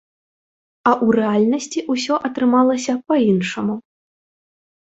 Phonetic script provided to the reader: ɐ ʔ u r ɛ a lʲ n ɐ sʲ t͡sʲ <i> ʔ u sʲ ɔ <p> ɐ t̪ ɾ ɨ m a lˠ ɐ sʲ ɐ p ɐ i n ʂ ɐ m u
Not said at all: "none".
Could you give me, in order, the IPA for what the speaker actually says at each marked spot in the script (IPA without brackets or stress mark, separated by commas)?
i, ʔ